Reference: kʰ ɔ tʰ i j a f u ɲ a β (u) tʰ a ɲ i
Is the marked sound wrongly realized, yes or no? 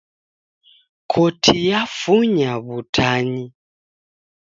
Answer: no